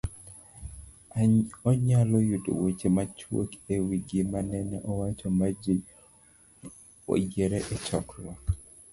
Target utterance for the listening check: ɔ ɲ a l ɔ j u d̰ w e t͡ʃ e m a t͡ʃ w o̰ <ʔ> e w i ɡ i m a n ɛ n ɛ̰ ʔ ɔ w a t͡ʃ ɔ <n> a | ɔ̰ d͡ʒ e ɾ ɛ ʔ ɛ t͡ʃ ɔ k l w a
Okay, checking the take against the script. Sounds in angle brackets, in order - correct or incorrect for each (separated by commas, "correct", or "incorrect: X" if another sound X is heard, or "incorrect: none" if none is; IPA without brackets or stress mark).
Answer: incorrect: k, incorrect: m